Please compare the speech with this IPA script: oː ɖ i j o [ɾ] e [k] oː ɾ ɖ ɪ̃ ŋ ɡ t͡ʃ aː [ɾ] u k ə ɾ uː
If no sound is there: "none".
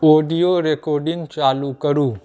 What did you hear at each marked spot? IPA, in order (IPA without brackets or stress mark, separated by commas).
ɾ, k, l